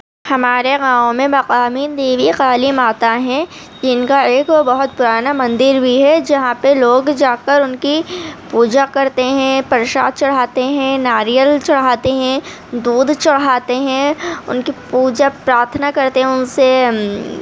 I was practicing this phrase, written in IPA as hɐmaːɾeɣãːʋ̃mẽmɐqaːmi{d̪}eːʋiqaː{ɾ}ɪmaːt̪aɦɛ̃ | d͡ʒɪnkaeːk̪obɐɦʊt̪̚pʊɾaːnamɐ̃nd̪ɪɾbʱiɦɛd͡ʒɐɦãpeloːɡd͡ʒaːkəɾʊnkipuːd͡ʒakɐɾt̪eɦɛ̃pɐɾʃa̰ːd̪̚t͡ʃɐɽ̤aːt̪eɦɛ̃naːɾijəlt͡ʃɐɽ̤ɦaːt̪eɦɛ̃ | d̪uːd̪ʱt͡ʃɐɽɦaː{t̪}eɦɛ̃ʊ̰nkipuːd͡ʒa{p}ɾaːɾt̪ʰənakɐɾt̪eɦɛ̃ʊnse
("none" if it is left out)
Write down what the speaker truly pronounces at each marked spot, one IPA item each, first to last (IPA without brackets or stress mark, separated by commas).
d̪, l, t̪, p